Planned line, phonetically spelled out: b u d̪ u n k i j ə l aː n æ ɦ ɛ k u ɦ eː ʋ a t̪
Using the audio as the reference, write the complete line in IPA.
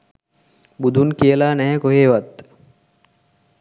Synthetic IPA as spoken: b u d̪ u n k i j ə l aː n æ ɦ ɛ k o ɦ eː ʋ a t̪